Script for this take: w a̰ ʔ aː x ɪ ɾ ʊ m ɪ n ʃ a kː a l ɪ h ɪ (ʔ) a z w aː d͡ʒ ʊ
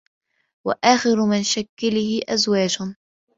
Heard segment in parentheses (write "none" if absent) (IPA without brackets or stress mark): ʔ